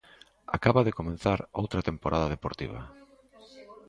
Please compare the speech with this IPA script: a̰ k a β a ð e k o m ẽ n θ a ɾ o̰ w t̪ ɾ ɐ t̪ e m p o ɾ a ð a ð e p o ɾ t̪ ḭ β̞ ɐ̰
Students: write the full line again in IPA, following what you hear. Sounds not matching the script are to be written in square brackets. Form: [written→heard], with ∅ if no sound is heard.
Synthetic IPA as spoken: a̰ k a β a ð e k o m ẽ n θ a ɾ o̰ w t̪ ɾ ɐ t̪ e m p o ɾ a ð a ð e p o ɾ t̪ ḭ β̞ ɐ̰